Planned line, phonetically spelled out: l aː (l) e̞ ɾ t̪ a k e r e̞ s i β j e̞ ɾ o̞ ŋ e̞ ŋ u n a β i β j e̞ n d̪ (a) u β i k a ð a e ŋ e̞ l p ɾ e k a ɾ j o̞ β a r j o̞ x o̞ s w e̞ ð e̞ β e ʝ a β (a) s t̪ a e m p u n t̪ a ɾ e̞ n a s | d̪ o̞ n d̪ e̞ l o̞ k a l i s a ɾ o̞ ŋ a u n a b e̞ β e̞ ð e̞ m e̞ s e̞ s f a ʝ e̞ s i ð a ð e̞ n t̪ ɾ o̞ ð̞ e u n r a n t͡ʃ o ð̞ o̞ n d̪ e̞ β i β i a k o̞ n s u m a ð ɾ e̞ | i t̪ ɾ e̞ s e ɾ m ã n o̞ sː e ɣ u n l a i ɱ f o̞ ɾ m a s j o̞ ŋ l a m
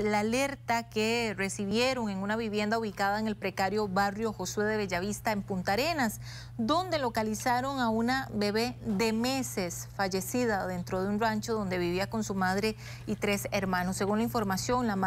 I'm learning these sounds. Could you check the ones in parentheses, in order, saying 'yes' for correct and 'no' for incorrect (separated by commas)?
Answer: yes, yes, no